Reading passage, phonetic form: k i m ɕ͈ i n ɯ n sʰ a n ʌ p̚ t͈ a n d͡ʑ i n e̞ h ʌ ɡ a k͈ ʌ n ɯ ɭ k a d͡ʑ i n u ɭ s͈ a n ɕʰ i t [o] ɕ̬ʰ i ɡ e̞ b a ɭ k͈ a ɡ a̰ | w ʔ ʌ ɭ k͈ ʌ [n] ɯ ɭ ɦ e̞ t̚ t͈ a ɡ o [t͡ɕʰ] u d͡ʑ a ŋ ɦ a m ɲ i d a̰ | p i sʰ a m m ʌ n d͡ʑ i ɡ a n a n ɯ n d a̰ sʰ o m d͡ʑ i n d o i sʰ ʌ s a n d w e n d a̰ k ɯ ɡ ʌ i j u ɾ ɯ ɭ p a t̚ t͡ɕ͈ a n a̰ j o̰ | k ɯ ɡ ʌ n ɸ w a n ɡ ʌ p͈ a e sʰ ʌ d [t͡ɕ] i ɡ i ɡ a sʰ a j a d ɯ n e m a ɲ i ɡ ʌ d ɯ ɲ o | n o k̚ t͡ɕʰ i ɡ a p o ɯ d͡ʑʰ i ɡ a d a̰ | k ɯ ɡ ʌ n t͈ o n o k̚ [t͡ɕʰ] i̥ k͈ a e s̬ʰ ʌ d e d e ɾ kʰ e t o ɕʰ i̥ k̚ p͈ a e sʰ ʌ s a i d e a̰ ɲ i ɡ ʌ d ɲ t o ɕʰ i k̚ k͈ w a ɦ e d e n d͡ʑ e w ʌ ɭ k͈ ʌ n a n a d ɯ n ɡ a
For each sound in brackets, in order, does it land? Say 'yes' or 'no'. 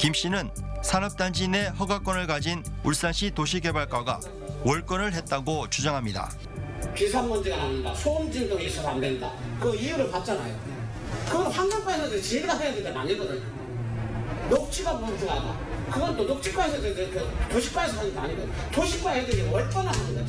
yes, yes, no, yes, yes

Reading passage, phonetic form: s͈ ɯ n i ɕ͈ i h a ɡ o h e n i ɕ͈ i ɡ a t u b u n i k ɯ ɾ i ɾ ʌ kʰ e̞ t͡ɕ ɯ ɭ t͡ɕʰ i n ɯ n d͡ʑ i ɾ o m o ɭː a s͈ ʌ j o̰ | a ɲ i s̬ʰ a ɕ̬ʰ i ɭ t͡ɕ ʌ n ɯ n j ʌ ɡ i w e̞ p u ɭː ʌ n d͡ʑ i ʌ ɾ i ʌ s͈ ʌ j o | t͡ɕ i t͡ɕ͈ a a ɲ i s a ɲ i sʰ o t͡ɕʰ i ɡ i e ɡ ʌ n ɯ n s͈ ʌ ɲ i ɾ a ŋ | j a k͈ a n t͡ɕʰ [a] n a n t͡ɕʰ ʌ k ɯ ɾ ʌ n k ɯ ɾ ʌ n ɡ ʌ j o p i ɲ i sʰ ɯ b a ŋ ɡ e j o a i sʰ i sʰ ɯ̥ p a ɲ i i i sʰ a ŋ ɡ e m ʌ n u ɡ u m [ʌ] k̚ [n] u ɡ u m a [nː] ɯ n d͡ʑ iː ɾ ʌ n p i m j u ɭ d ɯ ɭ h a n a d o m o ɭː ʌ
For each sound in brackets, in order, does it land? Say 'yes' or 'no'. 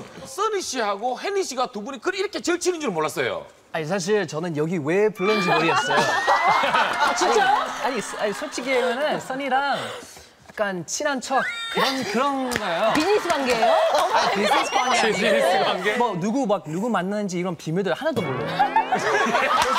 no, no, yes, yes

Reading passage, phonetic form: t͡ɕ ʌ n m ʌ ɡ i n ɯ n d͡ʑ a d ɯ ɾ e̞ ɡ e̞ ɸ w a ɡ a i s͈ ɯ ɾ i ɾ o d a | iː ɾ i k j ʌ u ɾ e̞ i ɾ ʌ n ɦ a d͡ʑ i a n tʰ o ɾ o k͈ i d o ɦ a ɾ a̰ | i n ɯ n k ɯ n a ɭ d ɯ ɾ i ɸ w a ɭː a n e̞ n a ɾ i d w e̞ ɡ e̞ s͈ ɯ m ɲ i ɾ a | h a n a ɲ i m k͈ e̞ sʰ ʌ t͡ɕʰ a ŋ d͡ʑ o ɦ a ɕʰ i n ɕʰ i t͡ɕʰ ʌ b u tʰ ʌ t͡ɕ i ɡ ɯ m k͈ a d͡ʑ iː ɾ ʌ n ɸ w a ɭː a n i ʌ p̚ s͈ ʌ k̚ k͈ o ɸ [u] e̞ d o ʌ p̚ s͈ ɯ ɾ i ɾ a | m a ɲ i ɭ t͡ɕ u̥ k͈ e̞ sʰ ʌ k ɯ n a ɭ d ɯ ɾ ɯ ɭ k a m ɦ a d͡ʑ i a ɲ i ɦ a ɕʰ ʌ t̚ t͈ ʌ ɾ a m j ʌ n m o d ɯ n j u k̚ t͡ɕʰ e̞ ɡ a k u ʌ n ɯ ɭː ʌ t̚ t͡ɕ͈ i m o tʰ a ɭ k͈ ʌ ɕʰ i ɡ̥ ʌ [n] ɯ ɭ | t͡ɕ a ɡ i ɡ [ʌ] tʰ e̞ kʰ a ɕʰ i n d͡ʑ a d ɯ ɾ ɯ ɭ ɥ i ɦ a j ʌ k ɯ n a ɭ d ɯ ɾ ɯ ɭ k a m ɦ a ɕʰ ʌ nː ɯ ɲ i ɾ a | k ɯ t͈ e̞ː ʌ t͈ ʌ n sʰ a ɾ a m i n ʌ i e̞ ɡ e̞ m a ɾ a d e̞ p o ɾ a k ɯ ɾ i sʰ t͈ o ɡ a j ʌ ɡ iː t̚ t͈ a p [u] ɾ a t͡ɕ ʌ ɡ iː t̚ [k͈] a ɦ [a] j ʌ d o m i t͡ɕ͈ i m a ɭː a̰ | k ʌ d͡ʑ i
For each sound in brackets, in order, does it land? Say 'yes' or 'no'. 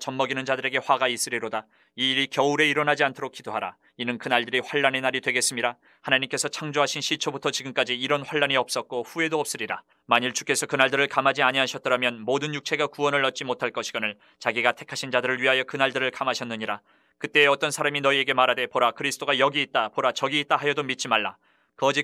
yes, yes, no, no, no, yes

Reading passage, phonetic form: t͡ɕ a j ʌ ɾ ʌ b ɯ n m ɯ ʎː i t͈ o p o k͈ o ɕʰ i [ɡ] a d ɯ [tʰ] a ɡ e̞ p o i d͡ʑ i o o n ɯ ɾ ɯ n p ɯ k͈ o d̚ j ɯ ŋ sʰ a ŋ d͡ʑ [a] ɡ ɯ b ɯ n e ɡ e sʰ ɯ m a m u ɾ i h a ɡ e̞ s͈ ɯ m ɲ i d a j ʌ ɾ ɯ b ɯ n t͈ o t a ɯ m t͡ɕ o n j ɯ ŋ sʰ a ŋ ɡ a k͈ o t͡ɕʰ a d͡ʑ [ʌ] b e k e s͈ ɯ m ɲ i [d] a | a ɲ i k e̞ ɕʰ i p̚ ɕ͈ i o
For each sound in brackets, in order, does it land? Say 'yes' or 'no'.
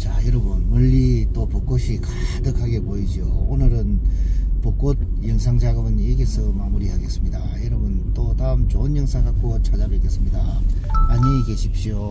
no, no, yes, no, yes

